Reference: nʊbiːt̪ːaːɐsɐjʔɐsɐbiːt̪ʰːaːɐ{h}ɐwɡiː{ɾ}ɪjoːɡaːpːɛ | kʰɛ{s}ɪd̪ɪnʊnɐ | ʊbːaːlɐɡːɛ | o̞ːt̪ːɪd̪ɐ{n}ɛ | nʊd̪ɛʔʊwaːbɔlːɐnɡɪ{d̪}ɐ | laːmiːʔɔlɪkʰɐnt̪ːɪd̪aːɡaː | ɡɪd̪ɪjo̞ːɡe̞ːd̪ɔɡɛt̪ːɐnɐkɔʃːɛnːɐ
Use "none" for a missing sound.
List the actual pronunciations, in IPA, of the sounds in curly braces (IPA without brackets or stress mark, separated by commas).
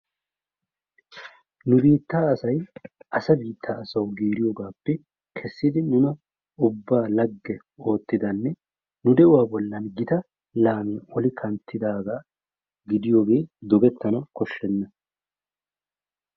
s, ɾ, sː, nː, t̪